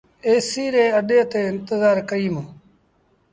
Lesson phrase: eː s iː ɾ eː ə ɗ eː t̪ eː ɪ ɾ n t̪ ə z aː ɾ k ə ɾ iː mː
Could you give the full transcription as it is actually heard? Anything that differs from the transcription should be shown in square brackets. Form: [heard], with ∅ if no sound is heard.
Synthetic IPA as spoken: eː s iː ɾ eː ə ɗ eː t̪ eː ɪ [∅] n t̪ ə z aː ɾ k ə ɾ iː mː